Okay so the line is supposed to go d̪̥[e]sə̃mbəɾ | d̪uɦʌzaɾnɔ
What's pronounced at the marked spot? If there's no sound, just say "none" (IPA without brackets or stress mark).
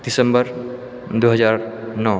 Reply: i